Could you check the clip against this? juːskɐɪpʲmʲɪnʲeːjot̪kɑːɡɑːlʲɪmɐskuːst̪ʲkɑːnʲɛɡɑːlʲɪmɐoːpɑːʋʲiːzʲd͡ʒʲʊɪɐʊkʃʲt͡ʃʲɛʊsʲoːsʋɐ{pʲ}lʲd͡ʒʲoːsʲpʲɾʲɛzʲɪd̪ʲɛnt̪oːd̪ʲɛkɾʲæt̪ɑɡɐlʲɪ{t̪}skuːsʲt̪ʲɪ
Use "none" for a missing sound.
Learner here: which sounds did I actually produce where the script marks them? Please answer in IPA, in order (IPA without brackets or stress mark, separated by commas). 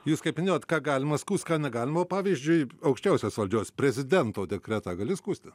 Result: none, none